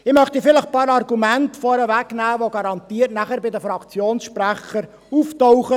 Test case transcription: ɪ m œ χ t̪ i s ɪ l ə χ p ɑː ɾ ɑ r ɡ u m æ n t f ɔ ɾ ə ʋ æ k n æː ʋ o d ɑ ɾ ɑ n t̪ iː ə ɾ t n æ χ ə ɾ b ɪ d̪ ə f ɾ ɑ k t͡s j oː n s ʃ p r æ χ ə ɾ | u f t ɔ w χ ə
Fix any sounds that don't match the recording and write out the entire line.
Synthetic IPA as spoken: ɪ m œ χ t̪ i f ɪ l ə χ p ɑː ɾ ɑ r ɡ u m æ n t f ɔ ɾ ə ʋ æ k n æː ʋ o ɡ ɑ ɾ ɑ n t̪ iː ə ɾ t n æ χ ə ɾ b ɪ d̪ ə f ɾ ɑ k t͡s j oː n s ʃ p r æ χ ə ɾ | u f t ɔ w χ ə